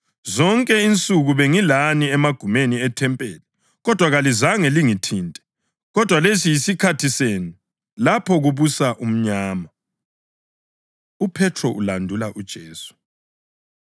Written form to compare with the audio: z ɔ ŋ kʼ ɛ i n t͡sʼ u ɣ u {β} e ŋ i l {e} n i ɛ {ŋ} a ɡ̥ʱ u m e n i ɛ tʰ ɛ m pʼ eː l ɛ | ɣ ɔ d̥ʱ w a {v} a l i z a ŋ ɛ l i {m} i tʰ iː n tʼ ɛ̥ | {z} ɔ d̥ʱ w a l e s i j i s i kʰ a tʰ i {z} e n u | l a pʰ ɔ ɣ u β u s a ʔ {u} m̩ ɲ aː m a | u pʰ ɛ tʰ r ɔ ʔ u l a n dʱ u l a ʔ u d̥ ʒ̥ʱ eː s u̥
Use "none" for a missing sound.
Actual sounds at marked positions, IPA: β, a, m, ɣ, ŋ, ɣ, s, u

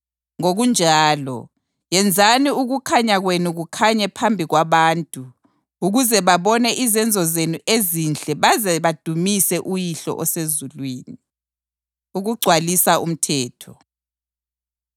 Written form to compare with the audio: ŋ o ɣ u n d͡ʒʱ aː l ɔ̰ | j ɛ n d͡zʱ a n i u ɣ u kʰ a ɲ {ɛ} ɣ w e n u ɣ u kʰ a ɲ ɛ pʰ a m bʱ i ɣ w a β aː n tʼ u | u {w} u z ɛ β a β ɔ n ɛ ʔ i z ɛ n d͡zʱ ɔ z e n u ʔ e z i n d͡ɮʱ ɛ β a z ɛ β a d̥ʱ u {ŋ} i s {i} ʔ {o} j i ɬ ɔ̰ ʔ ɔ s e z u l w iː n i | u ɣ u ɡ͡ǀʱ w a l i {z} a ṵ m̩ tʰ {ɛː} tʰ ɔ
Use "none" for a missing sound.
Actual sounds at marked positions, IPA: a, ɣ, m, ɛ, u, s, ɛː

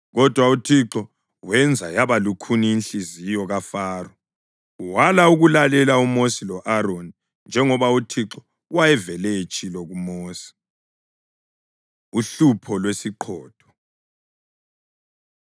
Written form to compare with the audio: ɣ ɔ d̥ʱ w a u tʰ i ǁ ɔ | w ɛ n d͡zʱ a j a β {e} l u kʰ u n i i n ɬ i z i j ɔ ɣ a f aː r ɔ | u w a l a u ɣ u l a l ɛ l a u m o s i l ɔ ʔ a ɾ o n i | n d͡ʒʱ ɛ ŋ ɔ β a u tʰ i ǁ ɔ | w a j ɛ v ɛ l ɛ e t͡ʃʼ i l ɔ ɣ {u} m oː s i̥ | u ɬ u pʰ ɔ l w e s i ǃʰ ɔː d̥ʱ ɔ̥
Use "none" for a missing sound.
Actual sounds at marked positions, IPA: a, u

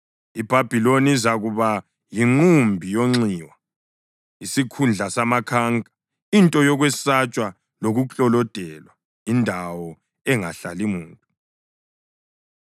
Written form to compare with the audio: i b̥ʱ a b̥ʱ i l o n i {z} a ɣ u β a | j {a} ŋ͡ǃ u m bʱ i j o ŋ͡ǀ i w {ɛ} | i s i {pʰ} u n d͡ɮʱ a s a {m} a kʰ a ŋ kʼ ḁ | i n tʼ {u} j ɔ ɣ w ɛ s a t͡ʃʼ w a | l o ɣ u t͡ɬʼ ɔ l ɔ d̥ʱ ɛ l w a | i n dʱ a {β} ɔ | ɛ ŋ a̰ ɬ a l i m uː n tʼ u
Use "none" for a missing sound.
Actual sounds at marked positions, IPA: z, i, a, kʰ, m, ɔ, w

